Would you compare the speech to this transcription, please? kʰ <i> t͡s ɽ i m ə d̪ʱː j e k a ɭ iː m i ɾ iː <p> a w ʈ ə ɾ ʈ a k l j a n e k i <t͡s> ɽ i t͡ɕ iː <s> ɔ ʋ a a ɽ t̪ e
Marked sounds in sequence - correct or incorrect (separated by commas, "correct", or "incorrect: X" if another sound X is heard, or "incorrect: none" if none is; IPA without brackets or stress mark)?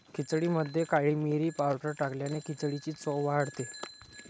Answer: correct, correct, correct, incorrect: t͡s